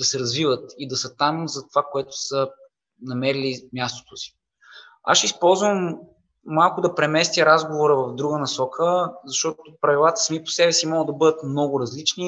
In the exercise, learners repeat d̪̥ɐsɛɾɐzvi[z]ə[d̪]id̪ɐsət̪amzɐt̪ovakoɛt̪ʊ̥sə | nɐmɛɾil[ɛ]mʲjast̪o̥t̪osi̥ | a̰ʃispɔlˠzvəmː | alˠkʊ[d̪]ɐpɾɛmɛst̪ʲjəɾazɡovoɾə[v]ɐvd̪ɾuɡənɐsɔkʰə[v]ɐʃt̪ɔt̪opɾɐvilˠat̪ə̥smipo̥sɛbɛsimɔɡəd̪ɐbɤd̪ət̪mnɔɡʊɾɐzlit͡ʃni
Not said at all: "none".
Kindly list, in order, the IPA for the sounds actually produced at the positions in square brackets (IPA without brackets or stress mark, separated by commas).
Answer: v, t̪, i, d̪, v, z